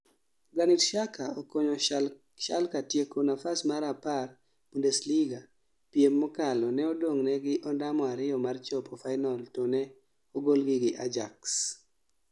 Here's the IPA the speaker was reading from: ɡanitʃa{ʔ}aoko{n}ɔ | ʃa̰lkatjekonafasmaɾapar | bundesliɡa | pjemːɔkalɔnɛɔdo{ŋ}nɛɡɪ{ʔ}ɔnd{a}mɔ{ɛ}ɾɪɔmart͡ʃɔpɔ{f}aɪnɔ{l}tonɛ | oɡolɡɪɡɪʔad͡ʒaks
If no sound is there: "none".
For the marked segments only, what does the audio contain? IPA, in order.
k, ɲ, ŋ, ʔ, a, a, f, l

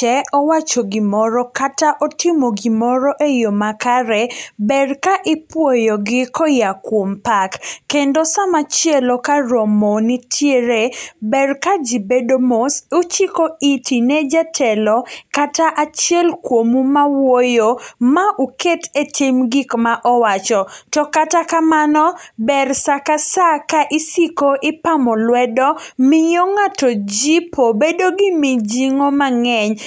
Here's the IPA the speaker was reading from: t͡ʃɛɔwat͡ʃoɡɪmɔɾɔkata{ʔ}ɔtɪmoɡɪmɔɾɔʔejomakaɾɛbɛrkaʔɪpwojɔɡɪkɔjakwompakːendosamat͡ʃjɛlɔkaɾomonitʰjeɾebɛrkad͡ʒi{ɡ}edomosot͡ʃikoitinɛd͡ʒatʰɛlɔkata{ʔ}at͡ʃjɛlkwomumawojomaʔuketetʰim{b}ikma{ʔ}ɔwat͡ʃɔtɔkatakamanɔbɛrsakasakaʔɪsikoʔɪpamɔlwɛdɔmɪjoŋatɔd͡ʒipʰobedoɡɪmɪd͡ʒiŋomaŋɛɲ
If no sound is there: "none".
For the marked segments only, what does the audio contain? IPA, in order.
ʔ, b, ʔ, ɡ, ʔ

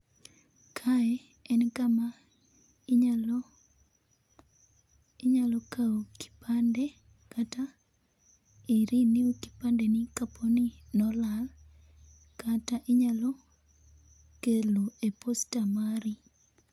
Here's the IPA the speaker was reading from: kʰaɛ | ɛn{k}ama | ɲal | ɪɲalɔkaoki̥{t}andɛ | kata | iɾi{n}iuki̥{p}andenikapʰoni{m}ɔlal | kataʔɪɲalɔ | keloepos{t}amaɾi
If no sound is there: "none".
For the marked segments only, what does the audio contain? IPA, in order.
k, p, n, p, n, t

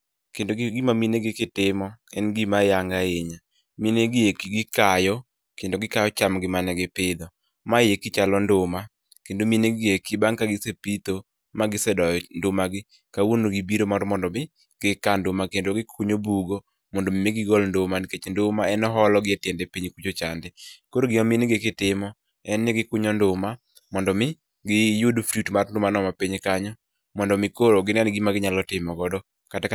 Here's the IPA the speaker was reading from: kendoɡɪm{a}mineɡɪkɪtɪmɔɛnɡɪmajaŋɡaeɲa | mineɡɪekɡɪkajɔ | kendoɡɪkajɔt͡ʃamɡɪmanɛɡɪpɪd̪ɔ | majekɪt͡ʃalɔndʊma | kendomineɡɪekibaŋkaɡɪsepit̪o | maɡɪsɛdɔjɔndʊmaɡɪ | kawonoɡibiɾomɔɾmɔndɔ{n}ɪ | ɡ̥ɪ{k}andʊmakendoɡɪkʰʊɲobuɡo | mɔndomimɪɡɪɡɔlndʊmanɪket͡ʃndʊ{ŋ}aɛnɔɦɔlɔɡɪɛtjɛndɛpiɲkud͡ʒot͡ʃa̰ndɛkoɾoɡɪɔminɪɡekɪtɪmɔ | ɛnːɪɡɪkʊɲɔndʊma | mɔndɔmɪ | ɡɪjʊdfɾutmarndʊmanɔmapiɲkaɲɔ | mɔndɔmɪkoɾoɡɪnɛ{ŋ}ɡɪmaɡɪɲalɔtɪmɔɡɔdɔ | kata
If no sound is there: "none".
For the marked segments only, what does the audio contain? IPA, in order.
a, m, k, m, n

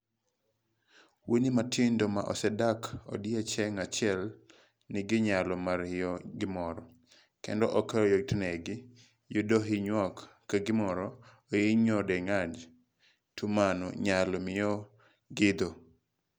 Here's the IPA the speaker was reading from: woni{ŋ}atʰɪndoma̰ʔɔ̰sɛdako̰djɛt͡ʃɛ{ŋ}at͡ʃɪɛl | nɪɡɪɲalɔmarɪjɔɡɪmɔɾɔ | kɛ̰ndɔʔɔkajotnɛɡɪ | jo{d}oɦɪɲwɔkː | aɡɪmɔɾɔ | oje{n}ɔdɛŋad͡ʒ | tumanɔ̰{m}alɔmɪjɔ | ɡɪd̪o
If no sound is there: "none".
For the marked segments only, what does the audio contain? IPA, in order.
m, ŋ, d, ɲ, ɲ

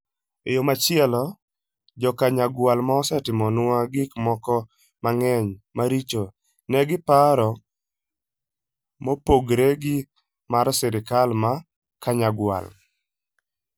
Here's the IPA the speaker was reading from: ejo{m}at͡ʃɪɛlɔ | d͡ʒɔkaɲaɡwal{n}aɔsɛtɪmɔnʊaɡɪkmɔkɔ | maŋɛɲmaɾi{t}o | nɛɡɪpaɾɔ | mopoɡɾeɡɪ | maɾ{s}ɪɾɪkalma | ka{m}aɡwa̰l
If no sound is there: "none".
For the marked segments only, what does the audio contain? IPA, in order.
m, m, t͡ʃ, s, ɲ

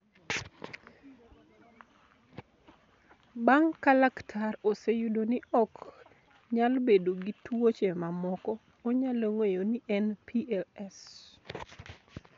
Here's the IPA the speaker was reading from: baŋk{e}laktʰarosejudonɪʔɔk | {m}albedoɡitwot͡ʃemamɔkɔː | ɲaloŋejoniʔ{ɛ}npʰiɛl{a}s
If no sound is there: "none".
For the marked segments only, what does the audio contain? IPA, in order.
a, ɲ, ɛ, ɛ

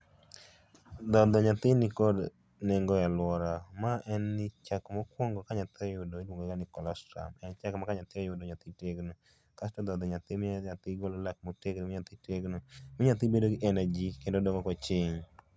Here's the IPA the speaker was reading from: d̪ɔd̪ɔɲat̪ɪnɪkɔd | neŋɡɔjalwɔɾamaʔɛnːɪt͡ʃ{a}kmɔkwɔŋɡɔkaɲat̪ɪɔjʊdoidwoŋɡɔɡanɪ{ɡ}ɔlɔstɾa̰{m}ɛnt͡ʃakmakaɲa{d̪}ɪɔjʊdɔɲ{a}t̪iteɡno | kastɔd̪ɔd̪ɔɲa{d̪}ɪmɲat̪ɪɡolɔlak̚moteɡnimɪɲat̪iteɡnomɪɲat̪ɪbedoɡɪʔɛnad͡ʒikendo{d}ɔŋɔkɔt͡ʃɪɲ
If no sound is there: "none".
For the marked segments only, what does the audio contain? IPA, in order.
a, k, m, t̪, a, t̪, d

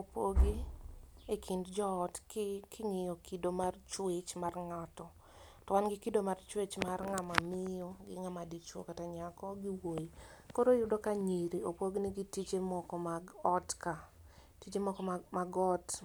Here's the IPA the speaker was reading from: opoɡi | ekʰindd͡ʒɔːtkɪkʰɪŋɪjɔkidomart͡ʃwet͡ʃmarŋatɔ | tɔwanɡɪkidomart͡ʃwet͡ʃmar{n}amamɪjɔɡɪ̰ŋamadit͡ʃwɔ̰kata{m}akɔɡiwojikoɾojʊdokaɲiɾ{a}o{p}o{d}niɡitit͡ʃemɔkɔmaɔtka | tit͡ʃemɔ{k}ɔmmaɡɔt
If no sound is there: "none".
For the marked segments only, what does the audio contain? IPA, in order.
ŋ, ɲ, i, p, ɡ, k

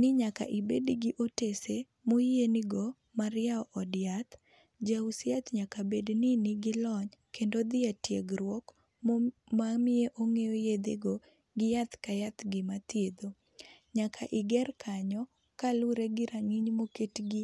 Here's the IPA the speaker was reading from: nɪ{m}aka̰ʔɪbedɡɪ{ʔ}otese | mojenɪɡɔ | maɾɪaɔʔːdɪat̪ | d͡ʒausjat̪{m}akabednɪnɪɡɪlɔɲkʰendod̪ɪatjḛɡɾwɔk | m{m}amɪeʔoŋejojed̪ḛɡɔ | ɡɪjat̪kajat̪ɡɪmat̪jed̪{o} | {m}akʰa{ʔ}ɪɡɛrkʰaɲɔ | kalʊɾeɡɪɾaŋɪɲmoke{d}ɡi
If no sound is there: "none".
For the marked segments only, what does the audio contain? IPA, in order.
ɲ, ʔ, ɲ, m, o, ɲ, ʔ, t

